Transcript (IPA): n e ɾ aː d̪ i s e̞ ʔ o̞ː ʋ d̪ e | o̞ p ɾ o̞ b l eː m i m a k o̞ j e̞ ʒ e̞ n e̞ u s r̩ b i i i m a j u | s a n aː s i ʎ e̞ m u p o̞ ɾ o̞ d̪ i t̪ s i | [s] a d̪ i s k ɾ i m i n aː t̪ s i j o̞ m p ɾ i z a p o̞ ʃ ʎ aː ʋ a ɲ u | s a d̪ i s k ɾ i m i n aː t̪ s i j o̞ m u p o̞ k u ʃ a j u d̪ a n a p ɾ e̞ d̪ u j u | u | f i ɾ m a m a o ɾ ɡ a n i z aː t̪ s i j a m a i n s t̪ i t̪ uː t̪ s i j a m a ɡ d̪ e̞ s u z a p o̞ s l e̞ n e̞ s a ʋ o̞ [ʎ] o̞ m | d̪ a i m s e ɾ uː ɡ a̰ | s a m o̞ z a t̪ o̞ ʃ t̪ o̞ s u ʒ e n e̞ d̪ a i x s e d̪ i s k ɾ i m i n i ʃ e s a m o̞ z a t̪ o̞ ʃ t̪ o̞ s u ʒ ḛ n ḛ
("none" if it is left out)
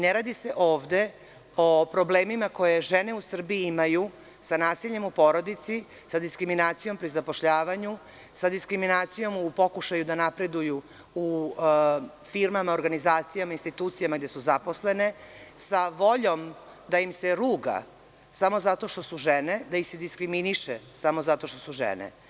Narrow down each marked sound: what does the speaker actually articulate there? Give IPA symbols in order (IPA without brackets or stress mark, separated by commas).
s, ʎ